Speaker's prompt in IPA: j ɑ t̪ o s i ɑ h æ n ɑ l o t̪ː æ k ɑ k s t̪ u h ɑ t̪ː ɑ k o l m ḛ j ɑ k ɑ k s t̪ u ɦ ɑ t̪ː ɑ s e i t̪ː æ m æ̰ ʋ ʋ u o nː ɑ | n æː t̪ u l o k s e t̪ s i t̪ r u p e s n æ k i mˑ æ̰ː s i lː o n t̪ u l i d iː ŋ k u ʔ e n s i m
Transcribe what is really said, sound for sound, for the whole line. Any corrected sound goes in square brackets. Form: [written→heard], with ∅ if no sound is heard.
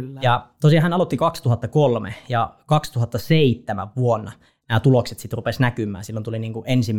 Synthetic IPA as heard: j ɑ t̪ o s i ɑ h æ n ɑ l o t̪ː [æ→i] k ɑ k s t̪ u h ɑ t̪ː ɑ k o l m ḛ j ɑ k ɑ k s t̪ u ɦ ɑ t̪ː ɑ s e i t̪ː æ m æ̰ ʋ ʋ u o nː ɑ | n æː t̪ u l o k s e t̪ s i t̪ r u p e s n æ k [i→y] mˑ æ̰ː s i lː o n t̪ u l i [d→n] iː ŋ k u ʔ e n s i m